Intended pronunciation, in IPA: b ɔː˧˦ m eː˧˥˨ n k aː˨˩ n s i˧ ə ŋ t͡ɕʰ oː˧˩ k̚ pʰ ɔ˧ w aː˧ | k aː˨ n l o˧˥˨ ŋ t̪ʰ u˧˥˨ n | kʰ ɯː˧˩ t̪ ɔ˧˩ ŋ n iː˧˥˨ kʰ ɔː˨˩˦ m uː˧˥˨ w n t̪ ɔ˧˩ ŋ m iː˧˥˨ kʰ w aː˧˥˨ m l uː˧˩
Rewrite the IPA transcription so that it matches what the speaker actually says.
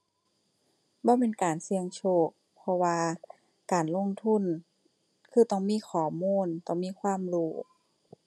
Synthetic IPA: b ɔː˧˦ m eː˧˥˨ n k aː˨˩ n s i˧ ə ŋ t͡ɕʰ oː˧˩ k̚ pʰ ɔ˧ w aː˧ | k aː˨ n l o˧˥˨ ŋ t̪ʰ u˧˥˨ n | kʰ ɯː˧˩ t̪ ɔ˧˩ ŋ m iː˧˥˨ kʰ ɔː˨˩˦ m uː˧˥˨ n t̪ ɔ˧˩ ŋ m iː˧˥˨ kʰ w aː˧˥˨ m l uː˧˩